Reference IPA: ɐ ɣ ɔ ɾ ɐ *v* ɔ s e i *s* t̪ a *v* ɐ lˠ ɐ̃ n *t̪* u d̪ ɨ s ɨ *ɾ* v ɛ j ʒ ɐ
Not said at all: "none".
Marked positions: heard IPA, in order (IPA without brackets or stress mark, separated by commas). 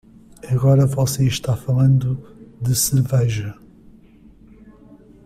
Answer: v, ʃ, f, d̪, ɾ